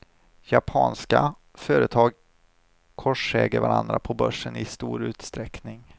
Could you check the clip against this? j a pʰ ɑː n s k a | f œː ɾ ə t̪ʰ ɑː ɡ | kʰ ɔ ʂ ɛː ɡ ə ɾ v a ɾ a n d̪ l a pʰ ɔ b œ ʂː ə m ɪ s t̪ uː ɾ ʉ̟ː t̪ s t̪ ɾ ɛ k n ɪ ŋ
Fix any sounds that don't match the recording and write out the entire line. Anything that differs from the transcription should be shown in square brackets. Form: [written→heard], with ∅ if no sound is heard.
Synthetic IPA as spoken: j a pʰ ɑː n s k a | f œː ɾ ə t̪ʰ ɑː ɡ | kʰ ɔ ʂ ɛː ɡ ə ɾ v a ɾ a n d̪ [l→ɾ] a pʰ ɔ b œ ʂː ə [m→n] ɪ s t̪ uː ɾ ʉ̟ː t̪ s t̪ ɾ ɛ k n ɪ ŋ